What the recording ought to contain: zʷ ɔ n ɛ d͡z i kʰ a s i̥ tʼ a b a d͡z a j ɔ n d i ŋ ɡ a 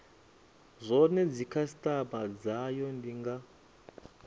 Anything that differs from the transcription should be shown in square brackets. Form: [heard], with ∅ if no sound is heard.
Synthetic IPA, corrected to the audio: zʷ ɔ n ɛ d͡z i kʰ a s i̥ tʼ a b a d͡z a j ɔ n d i ŋ ɡ a